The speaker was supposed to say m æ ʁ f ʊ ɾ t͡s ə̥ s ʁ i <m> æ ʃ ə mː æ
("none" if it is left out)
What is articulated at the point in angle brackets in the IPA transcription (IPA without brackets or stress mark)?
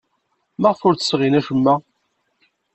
n